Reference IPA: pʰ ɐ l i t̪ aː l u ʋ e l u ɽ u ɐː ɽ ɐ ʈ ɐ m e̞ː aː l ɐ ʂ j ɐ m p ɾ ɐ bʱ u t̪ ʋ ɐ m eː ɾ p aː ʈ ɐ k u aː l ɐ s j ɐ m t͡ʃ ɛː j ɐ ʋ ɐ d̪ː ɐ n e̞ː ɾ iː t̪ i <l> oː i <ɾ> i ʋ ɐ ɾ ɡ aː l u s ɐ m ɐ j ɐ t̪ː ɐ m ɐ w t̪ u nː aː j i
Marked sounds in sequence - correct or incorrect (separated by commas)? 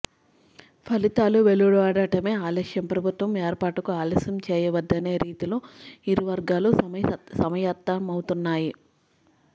correct, correct